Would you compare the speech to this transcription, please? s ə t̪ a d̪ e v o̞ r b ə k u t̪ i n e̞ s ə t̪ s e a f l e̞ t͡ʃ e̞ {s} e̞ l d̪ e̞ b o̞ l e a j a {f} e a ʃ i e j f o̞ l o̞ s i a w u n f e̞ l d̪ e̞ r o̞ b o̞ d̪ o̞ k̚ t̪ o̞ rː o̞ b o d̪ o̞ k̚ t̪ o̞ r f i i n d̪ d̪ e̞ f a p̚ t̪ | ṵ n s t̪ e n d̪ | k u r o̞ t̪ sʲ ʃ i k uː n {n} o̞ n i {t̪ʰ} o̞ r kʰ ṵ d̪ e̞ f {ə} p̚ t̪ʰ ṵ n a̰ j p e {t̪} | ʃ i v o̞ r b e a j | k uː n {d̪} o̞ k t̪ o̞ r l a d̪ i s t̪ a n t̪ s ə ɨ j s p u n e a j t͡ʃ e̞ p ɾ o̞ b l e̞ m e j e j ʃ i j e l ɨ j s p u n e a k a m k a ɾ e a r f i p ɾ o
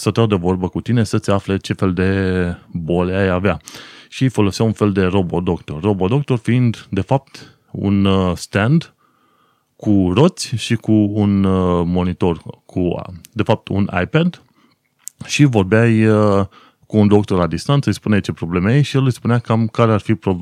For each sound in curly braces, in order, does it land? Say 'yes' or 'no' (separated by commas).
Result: no, no, no, no, no, no, yes